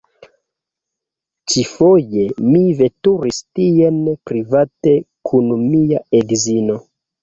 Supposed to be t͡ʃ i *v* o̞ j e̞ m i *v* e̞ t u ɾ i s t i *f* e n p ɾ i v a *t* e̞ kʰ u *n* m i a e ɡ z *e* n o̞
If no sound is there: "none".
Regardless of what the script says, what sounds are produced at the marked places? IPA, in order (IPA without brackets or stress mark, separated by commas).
f, v, none, t, n, i